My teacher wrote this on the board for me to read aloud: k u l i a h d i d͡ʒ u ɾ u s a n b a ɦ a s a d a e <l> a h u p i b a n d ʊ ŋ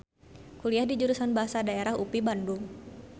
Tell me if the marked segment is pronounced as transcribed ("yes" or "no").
no